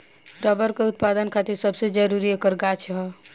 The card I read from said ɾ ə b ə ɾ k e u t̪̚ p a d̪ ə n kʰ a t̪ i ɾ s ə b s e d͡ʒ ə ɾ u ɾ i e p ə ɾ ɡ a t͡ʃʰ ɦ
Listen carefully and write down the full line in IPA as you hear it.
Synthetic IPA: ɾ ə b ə ɾ k e u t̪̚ p a d̪ ə n kʰ a t̪ i ɾ s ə b s e d͡ʒ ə ɾ u ɾ i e k ə ɾ ɡ a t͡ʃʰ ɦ